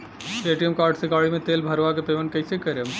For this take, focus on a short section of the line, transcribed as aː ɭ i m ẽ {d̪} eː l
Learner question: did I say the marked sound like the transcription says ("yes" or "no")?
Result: no